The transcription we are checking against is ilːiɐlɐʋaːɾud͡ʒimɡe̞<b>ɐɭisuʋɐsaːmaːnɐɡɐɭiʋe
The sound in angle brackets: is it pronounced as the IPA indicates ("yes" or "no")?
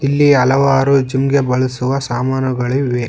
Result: yes